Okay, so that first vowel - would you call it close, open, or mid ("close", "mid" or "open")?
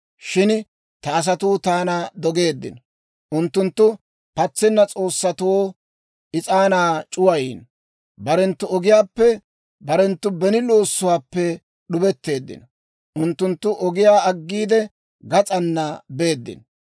close